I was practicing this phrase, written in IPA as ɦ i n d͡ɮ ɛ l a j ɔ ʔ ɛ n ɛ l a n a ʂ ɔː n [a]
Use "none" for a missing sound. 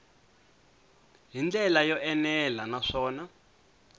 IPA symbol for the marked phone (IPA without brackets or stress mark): a